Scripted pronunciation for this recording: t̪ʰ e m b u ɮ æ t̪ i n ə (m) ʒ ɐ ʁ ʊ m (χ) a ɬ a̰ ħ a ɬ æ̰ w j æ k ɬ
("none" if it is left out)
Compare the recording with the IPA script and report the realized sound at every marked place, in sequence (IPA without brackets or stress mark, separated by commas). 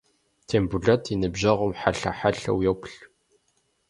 b, ħ